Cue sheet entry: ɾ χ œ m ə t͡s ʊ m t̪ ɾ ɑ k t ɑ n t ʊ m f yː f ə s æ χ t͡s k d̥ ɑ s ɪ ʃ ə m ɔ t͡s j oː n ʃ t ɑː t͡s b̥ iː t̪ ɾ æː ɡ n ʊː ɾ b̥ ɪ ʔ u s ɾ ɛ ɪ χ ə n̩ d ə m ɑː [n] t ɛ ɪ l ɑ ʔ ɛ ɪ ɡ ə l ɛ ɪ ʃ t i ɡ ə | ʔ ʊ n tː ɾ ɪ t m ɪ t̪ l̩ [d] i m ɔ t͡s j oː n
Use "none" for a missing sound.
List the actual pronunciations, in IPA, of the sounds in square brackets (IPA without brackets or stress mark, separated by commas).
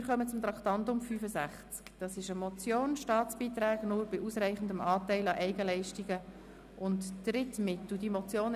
none, d